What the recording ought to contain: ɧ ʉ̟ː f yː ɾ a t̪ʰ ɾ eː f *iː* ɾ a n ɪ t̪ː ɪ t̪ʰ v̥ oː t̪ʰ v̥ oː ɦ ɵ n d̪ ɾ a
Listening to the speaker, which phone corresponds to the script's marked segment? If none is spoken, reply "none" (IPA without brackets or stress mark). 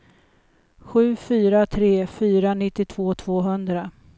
yː